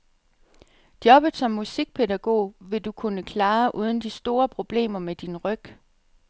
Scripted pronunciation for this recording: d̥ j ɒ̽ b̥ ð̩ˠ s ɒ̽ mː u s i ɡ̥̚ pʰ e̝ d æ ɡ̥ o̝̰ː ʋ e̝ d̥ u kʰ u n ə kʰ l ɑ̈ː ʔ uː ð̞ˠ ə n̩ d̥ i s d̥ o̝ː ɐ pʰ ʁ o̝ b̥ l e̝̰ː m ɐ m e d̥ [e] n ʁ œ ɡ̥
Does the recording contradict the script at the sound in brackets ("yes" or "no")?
yes